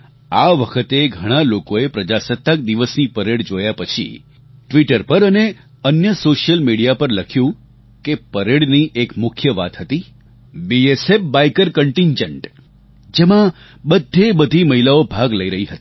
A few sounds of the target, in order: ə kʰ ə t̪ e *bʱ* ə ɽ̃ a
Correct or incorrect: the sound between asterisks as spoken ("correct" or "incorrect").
incorrect